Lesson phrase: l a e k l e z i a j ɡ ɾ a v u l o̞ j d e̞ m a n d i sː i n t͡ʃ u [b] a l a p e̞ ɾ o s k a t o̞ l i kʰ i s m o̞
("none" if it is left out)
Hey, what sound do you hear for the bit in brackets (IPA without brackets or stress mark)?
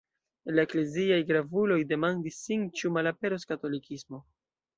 m